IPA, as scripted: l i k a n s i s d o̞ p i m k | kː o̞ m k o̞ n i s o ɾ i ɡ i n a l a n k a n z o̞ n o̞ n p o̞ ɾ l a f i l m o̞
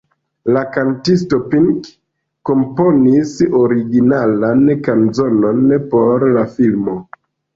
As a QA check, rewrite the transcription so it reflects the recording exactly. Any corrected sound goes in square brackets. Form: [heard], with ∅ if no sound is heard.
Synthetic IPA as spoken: l [a] k a n [t] i s [t] o̞ p i [ŋ] k | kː o̞ m [p] o̞ n i s o ɾ i ɡ i n a l a n k a n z o̞ n o̞ n p o̞ ɾ l a f i l m o̞

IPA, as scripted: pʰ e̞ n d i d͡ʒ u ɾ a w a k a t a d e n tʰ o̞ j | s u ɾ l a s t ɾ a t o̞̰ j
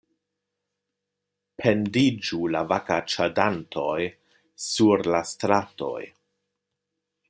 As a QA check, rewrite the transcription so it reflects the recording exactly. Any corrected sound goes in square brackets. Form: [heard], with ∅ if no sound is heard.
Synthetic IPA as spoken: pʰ e̞ n d i d͡ʒ u [l] a [v] a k a [t͡ʃ] a d [a] n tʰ o̞ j | s u ɾ l a s t ɾ a t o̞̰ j

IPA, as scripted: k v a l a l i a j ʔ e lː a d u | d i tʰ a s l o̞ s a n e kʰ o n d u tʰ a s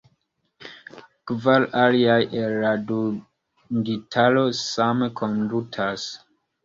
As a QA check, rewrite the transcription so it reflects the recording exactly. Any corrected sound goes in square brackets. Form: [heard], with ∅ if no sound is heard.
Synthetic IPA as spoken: k v a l a l i a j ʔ e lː a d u | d i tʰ a [∅] l o̞ s a [m] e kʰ o n d u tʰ a s

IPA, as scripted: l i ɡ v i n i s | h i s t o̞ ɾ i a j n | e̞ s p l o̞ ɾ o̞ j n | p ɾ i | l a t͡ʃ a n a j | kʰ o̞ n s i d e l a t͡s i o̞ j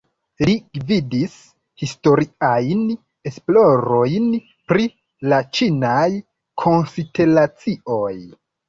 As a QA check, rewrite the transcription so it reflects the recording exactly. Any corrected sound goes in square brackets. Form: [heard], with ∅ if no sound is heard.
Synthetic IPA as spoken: l i ɡ v i [d] i s | h i s t o̞ ɾ i a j n | e̞ s p l o̞ ɾ o̞ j n | p ɾ i | l a t͡ʃ [i] n a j | kʰ o̞ n s i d e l a t͡s i o̞ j

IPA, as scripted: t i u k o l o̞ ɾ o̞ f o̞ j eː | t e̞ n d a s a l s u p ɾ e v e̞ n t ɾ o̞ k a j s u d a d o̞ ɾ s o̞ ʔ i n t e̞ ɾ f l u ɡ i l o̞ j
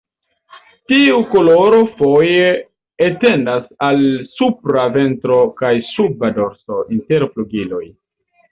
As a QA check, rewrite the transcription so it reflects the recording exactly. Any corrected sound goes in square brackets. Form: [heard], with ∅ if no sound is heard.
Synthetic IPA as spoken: t i u k o l o̞ ɾ o̞ f o̞ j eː | t e̞ n d a s a l s u p ɾ [a] v e̞ n t ɾ o̞ k a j s u [b] a d o̞ ɾ s o̞ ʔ i n t e̞ ɾ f l u ɡ i l o̞ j

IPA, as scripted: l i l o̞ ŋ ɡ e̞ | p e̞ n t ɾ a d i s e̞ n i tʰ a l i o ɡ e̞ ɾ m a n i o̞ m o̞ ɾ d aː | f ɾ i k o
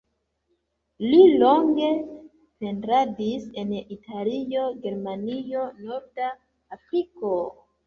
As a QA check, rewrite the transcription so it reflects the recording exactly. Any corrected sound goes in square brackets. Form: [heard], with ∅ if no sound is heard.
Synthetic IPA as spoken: l i l o̞ ŋ ɡ e̞ | p e̞ n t ɾ a d i s e̞ n i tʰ a l i o ɡ e̞ ɾ m a n i o̞ [n] o̞ ɾ d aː | f ɾ i k o

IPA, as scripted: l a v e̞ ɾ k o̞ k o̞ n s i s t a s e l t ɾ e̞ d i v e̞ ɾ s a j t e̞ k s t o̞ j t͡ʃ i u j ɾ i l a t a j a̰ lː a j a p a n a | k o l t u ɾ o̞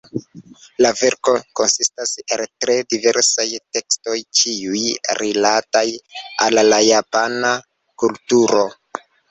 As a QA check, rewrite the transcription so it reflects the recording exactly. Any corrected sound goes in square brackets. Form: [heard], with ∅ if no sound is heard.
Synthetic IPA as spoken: l a v e̞ ɾ k o̞ k o̞ n s i s t a s e l t ɾ e̞ d i v e̞ ɾ s a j t e̞ k s t o̞ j t͡ʃ i u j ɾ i l a t a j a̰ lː a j a p a n a | k [u] l t u ɾ o̞

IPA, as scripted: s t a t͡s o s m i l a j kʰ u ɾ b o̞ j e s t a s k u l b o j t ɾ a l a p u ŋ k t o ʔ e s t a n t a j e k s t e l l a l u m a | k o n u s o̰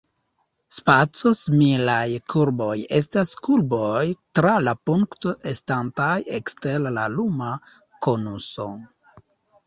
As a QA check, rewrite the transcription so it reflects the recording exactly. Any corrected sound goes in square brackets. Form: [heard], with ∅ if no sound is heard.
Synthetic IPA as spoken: s [p] a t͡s o s m i l a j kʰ u ɾ b o̞ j e s t a s k u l b o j t ɾ a l a p u ŋ k t o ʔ e s t a n t a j e k s t e l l a l u m a | k o n u s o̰

